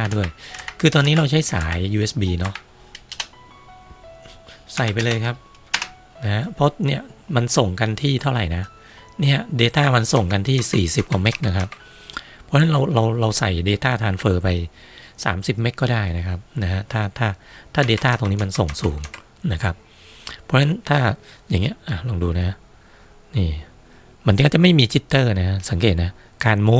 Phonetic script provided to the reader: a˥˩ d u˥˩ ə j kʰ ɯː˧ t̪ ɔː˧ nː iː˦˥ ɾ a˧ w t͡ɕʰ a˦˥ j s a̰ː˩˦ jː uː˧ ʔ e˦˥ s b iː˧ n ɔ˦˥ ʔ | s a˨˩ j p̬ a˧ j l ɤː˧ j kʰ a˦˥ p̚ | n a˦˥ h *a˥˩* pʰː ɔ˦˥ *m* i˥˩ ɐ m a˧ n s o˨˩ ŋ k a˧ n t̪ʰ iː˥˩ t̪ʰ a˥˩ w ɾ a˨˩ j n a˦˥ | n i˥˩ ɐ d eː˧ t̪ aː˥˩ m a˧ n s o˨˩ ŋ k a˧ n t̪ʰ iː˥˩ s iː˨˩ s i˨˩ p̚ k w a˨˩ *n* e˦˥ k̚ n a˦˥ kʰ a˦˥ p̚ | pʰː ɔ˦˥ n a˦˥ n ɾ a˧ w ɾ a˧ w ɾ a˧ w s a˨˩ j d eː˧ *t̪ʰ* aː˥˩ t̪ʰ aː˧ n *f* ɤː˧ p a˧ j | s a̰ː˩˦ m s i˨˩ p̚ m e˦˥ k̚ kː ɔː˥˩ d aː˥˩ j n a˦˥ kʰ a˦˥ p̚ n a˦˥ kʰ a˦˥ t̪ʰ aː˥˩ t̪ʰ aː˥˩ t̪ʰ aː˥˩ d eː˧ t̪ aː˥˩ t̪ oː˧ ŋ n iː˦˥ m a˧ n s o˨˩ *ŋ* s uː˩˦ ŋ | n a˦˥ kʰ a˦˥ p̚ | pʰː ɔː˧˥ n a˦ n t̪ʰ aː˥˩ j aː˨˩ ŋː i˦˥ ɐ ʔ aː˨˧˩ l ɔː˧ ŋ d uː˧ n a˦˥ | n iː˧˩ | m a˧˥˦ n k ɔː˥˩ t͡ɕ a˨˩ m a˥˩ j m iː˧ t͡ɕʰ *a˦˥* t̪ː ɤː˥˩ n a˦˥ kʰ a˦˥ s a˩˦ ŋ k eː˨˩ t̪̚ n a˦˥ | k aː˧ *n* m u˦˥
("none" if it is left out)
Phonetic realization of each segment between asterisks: a˦˥, n, m, t̪, f, ŋ, i˦˥, n

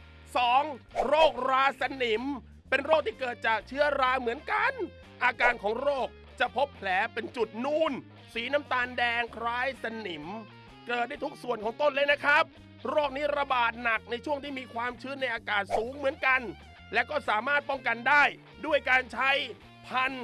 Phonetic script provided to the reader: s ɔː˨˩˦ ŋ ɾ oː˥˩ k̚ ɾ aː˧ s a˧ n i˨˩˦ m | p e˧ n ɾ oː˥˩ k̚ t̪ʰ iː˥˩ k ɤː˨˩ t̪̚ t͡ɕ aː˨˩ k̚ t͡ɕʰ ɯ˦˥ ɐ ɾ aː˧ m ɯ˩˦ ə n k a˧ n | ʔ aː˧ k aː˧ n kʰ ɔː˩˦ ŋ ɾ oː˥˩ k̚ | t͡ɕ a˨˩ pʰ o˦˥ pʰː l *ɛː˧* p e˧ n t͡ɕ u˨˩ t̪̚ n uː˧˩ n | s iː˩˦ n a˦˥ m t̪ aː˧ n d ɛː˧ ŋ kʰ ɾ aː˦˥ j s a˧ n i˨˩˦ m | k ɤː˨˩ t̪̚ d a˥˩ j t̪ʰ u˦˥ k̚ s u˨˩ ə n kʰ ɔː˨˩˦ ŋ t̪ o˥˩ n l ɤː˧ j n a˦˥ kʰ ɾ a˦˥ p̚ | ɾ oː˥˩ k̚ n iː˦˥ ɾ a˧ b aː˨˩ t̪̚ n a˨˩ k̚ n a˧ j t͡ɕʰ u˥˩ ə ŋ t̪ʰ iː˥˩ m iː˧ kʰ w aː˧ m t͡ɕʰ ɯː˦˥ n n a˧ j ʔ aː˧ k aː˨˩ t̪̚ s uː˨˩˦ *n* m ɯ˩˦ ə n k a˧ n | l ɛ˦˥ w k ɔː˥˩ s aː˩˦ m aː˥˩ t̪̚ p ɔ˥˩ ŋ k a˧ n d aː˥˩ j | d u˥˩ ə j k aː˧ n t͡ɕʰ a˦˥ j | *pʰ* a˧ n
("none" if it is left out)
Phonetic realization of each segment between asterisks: ɛː˩˦, ŋ, pʰ

